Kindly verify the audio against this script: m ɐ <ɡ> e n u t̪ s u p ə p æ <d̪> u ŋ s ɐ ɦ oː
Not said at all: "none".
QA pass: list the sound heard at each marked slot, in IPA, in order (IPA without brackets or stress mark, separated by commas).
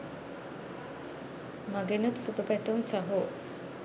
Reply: ɡ, t̪